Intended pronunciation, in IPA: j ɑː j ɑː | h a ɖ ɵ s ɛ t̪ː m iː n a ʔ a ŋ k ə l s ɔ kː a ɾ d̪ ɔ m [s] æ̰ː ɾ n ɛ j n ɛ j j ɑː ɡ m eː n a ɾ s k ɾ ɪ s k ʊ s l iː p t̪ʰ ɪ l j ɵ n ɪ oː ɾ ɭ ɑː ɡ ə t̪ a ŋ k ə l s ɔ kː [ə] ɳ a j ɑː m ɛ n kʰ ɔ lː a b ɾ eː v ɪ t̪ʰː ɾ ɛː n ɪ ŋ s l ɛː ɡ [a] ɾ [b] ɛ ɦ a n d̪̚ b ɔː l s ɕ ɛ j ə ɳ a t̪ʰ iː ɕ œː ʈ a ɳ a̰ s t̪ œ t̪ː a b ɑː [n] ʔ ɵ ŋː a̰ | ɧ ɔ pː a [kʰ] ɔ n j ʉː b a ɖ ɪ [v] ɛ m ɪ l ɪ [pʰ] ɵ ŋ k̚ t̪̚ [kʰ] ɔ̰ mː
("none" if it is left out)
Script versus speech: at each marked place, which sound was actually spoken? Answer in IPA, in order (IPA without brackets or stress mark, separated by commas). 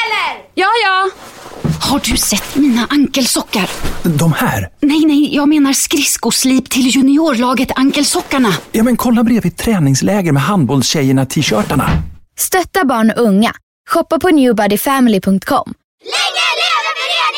h, a, ə, m, ɳ, pʰ, f, pʰ, kʰ